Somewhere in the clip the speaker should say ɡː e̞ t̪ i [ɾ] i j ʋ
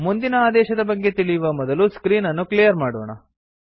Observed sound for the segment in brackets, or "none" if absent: ɭ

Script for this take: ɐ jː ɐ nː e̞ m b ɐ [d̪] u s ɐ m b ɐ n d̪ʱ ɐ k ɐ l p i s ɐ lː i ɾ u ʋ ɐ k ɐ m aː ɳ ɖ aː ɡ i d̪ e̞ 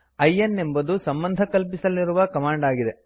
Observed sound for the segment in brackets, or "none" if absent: d̪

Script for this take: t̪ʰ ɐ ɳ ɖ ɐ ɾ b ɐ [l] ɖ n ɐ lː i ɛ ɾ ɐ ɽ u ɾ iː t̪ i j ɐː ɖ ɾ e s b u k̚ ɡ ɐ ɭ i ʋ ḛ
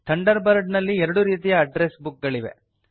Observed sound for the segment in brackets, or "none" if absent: ɾ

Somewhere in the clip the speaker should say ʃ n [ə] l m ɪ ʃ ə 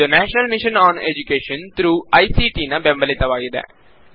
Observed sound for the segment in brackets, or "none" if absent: ə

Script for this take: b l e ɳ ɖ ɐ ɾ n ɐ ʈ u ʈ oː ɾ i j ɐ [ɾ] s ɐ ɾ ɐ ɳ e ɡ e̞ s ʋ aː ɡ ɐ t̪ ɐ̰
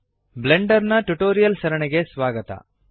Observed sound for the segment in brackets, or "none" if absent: l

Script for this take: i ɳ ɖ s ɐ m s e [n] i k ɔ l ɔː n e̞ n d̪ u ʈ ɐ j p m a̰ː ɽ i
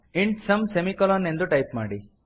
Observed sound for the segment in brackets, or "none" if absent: m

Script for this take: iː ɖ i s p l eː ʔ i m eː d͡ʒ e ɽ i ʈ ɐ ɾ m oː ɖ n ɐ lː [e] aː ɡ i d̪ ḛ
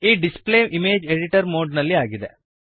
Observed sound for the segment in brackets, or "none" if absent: i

